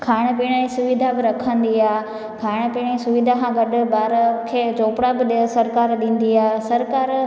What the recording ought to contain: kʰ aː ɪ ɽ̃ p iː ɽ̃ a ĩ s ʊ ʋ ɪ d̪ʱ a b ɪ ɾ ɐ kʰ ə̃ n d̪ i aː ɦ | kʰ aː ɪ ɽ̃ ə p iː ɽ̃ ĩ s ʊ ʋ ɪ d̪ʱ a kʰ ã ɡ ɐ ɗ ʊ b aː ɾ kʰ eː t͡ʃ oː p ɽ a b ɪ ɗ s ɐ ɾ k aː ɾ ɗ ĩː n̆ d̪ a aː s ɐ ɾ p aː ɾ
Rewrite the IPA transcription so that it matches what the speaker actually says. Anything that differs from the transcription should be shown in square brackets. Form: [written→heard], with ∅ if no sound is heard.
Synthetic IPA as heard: kʰ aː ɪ ɽ̃ p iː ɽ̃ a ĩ s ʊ ʋ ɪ d̪ʱ a b ɪ ɾ ɐ kʰ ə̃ n d̪ i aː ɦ | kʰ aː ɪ ɽ̃ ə p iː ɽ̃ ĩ s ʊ ʋ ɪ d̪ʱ a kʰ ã ɡ ɐ ɗ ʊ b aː ɾ kʰ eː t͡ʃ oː p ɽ a b ɪ ɗ s ɐ ɾ k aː ɾ ɗ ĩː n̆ d̪ [a→i] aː s ɐ ɾ [p→k] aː ɾ

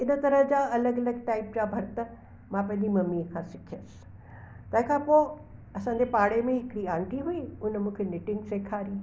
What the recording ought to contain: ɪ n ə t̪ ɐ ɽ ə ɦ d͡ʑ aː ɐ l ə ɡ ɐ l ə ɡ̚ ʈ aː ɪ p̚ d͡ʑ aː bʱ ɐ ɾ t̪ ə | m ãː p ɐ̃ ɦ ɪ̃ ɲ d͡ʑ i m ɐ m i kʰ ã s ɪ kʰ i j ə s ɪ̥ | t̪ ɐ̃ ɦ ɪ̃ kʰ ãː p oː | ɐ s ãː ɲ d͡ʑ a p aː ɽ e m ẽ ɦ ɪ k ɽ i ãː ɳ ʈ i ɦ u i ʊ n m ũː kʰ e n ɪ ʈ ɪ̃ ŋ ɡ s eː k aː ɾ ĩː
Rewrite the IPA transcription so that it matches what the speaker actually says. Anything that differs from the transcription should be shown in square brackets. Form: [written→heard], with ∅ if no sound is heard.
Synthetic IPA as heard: ɪ n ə t̪ ɐ [ɽ→ɾ] ə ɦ d͡ʑ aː ɐ l ə ɡ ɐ l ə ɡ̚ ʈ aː ɪ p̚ d͡ʑ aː bʱ ɐ ɾ t̪ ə | m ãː p ɐ̃ ɦ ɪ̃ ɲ d͡ʑ i m ɐ m i kʰ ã s ɪ kʰ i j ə s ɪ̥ | t̪ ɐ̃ ɦ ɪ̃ kʰ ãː p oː | ɐ s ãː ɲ d͡ʑ [a→e] p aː ɽ e m ẽ ɦ ɪ k ɽ i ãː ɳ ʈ i ɦ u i ʊ n m ũː kʰ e n ɪ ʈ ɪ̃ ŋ ɡ s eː [k→kʰ] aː ɾ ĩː

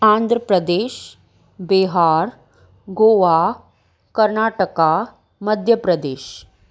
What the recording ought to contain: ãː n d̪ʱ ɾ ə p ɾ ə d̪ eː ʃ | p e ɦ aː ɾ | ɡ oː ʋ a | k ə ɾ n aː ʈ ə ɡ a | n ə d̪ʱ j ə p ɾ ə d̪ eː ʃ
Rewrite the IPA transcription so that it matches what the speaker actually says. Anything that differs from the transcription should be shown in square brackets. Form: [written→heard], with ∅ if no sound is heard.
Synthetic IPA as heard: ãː n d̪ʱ ɾ ə p ɾ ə d̪ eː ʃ | [p→b] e ɦ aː ɾ | ɡ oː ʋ a | k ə ɾ n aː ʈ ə [ɡ→k] a | [n→m] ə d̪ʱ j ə p ɾ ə d̪ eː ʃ

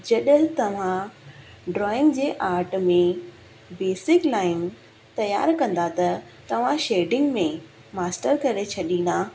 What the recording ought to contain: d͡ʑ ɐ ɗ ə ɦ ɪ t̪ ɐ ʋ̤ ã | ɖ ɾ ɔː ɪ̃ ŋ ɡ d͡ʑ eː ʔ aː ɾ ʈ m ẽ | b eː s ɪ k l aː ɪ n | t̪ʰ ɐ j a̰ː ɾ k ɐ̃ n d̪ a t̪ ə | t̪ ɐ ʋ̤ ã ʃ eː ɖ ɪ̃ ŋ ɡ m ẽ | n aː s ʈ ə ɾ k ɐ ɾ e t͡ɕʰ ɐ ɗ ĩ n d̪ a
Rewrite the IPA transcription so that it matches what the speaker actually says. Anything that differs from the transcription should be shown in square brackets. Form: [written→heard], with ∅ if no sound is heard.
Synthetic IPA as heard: d͡ʑ ɐ ɗ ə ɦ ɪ t̪ ɐ ʋ̤ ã | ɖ ɾ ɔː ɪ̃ ŋ ɡ d͡ʑ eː ʔ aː ɾ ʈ m ẽ | b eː s ɪ k l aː ɪ n | [t̪ʰ→t̪] ɐ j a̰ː ɾ k ɐ̃ n d̪ a t̪ [ə→ɐ] | t̪ ɐ ʋ̤ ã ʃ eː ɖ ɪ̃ ŋ ɡ m ẽ | [n→m] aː s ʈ ə ɾ k ɐ ɾ e t͡ɕʰ ɐ ɗ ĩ n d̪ a

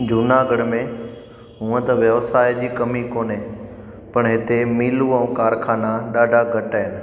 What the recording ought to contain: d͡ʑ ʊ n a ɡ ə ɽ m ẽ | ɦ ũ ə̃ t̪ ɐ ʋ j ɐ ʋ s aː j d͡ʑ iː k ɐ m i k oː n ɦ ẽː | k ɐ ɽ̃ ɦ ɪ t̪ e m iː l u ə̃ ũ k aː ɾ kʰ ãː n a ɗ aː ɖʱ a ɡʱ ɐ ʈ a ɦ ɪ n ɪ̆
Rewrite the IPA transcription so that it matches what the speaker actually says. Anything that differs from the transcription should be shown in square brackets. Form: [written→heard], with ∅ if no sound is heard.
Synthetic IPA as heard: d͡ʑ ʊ n a ɡ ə ɽ m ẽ | ɦ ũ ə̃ t̪ ɐ ʋ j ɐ ʋ s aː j d͡ʑ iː k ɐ m i k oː n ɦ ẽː | [k→p] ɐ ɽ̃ ɦ ɪ t̪ e m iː l u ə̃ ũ k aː ɾ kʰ [ãː→aː] n a ɗ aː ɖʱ a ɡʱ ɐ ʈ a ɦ ɪ n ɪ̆

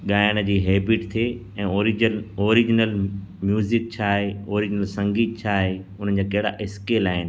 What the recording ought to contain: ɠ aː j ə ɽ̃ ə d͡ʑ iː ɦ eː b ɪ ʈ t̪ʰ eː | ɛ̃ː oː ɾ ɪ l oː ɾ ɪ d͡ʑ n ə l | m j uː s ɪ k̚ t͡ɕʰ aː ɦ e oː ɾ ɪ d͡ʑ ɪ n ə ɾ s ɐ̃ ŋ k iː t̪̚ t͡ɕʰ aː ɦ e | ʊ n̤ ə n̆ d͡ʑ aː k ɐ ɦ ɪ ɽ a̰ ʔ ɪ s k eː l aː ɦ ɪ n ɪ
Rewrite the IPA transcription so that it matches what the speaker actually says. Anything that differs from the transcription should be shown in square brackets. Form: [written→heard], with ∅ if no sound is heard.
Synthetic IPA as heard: ɠ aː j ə ɽ̃ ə d͡ʑ iː ɦ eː b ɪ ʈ t̪ʰ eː | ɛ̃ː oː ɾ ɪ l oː ɾ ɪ d͡ʑ n ə l | m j uː [s→z] ɪ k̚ t͡ɕʰ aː ɦ e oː ɾ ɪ d͡ʑ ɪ n ə [ɾ→l] s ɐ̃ ŋ [k→ɡ] iː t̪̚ t͡ɕʰ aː ɦ e | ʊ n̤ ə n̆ d͡ʑ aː k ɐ ɦ ɪ ɽ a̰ ʔ ɪ s k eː l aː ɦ ɪ n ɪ

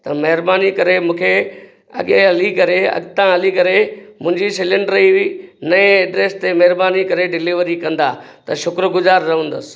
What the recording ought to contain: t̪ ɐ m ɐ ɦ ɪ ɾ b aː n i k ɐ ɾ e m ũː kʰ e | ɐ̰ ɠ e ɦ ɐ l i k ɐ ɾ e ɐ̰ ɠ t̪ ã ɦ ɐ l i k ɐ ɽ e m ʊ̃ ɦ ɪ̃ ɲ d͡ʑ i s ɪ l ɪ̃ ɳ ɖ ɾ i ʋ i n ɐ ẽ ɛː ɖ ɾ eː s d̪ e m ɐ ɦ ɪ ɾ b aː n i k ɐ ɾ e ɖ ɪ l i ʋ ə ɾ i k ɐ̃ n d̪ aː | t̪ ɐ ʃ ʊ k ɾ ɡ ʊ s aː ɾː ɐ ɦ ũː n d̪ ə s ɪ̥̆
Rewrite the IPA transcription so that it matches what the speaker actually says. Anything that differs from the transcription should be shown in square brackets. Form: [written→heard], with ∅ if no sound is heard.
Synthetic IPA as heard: t̪ ɐ m ɐ ɦ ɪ ɾ b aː n i k ɐ ɾ e m ũː kʰ e | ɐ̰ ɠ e ɦ ɐ l i k ɐ ɾ e ɐ̰ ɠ t̪ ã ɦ ɐ l i k ɐ [ɽ→ɾ] e m ʊ̃ ɦ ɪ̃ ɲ d͡ʑ i s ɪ l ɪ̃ ɳ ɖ ɾ i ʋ i n ɐ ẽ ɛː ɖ ɾ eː s [d̪→t̪] e m ɐ ɦ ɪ ɾ b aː n i k ɐ ɾ e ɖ ɪ l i ʋ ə ɾ i k ɐ̃ n d̪ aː | t̪ ɐ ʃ ʊ k ɾ ɡ ʊ [s→z] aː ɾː ɐ ɦ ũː n d̪ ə s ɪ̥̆

